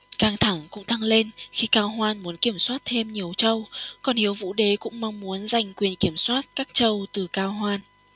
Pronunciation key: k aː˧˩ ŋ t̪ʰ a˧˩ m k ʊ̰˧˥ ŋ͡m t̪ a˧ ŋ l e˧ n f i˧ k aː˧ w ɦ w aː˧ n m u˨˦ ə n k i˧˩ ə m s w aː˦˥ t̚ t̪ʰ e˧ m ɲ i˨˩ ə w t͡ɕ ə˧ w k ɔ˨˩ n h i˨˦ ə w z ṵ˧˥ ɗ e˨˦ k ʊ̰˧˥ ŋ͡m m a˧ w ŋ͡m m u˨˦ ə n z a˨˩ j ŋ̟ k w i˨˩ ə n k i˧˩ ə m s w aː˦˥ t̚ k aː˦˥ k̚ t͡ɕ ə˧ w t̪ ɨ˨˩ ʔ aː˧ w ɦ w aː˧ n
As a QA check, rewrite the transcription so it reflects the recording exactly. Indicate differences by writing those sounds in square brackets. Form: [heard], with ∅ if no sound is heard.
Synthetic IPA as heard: k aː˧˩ ŋ t̪ʰ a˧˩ [ŋ] k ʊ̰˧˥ ŋ͡m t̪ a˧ ŋ l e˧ n [x] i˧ k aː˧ w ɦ w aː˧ n m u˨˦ ə n k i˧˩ ə m s w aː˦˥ t̚ t̪ʰ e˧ m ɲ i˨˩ ə w t͡ɕ ə˧ w k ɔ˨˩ n h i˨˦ ə w [v] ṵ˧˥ ɗ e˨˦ k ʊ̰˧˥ ŋ͡m m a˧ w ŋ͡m m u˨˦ ə n z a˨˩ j ŋ̟ k w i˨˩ ə n k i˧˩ ə m s w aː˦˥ t̚ k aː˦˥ k̚ t͡ɕ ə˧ w t̪ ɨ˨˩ [k] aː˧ w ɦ w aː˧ n